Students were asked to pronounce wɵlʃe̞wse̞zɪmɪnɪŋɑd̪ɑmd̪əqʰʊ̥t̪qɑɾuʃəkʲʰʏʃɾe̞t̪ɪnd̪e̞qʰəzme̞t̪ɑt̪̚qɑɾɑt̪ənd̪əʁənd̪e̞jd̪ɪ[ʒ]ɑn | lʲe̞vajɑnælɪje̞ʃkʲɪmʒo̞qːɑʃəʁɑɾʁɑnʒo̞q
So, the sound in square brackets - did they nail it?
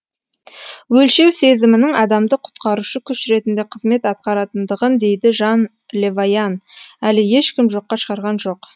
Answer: yes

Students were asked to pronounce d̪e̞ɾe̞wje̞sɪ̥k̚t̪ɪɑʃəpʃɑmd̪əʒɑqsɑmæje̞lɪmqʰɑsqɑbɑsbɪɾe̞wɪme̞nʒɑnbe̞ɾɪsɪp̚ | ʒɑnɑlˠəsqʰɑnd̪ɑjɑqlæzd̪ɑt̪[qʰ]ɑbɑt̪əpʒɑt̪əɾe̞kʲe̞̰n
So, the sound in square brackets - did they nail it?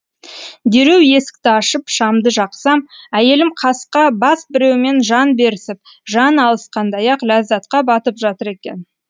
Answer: no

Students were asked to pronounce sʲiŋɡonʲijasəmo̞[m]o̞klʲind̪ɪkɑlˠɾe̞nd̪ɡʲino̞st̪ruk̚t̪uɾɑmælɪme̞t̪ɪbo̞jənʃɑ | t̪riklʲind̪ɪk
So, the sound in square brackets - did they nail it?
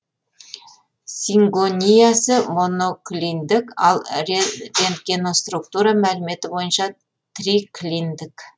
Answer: no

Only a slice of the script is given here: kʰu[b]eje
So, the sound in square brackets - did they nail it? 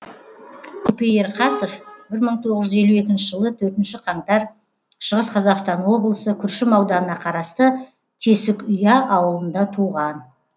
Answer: no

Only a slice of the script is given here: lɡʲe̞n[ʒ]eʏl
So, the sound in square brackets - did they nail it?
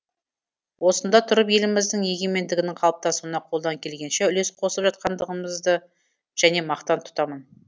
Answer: no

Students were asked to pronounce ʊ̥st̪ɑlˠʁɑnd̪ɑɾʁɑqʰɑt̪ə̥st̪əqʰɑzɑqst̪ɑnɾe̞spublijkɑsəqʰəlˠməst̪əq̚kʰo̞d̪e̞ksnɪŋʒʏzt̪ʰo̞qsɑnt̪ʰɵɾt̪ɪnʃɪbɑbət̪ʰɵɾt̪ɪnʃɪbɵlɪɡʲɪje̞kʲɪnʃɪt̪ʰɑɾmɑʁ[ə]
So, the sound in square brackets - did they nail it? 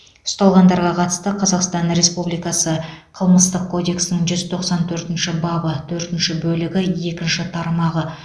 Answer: yes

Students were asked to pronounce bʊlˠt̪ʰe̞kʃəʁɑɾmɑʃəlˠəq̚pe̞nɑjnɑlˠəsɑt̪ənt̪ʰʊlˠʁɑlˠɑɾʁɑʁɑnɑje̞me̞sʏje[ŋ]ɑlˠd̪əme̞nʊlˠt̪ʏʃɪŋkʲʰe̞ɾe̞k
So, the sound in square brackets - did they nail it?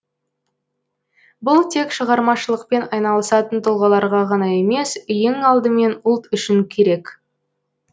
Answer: yes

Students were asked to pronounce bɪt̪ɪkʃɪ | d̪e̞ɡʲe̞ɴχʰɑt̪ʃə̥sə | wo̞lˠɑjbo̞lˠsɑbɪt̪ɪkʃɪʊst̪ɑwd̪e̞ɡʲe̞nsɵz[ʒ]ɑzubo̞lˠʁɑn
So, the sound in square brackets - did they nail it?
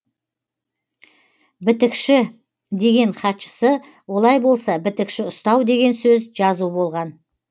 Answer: yes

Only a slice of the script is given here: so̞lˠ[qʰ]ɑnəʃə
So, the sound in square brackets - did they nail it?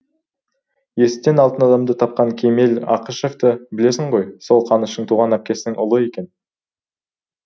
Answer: yes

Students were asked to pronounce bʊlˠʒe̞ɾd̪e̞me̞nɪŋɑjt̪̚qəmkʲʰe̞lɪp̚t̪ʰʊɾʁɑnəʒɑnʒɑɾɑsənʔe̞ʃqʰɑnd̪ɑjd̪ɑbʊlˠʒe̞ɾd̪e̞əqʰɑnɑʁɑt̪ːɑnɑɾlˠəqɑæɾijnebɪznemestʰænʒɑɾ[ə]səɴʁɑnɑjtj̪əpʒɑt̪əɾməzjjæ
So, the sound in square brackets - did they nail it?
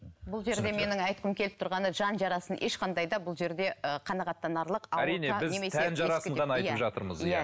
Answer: no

